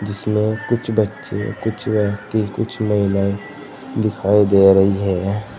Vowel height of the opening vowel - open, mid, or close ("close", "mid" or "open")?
close